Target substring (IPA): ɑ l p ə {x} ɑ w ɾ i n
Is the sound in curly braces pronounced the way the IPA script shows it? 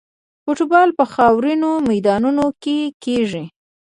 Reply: yes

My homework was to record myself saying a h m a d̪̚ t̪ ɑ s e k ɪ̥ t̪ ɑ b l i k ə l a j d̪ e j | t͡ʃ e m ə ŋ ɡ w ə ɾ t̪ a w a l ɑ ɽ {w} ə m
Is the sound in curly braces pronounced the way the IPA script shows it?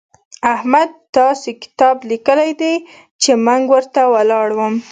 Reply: yes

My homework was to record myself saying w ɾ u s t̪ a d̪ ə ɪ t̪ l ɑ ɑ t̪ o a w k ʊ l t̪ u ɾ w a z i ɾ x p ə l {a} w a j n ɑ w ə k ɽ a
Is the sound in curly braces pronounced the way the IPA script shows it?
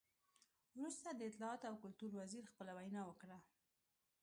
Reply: yes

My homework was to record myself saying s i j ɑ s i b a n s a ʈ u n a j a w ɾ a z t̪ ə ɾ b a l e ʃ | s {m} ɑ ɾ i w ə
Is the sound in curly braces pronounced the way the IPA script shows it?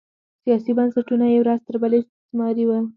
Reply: yes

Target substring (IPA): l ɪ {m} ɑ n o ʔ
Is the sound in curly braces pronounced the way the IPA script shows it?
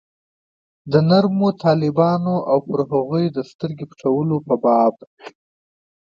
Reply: no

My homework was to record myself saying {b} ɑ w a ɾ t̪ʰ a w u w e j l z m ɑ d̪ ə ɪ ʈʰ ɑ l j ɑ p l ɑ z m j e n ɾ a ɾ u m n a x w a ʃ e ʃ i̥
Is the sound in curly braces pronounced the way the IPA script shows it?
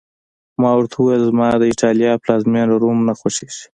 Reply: no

